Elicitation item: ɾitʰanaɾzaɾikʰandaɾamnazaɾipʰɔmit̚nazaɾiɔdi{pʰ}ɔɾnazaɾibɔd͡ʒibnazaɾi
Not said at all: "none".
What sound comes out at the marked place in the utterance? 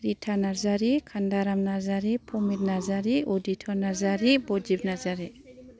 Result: tʰ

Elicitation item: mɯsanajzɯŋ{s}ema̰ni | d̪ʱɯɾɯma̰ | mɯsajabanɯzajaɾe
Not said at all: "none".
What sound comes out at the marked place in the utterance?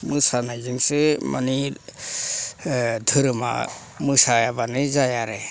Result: s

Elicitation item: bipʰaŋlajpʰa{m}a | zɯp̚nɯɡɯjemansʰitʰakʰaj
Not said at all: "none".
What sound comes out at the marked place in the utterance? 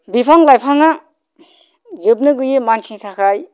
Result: ŋ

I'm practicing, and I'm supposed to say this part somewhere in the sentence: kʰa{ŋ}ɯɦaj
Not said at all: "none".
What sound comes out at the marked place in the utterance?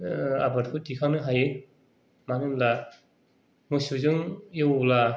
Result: n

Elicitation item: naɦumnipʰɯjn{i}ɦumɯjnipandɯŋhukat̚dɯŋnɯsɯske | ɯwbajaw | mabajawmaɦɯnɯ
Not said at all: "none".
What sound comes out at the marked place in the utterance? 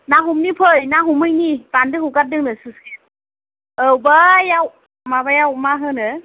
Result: a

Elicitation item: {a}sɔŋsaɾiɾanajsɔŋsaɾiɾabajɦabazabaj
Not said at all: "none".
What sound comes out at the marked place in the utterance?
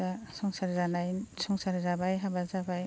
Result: a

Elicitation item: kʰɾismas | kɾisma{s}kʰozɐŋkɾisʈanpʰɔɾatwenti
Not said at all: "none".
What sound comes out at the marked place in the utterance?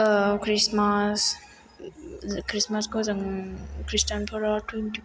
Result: s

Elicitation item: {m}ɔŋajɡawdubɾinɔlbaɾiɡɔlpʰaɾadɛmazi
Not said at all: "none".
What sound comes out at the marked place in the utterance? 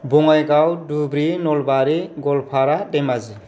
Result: b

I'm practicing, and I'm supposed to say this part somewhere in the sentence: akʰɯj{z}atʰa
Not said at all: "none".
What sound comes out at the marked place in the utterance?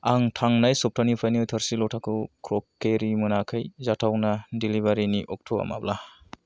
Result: z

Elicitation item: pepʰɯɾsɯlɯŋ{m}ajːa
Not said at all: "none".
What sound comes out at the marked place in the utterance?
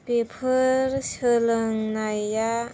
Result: n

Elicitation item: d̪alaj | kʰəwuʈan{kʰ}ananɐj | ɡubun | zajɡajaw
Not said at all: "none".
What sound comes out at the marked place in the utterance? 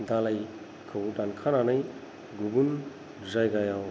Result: kʰ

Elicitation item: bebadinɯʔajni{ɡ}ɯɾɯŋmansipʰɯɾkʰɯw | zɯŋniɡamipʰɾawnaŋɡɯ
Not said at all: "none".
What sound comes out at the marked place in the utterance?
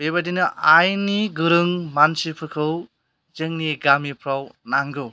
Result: ɡ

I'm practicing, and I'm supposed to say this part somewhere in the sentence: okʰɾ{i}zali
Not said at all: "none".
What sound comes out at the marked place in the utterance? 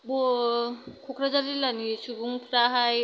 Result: a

